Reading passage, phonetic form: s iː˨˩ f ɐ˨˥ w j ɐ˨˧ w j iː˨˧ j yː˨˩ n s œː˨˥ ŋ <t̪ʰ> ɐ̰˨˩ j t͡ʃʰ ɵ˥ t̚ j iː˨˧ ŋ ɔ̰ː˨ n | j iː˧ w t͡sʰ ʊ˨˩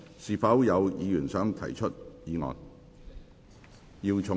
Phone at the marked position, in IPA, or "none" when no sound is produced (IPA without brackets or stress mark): t̪ʰ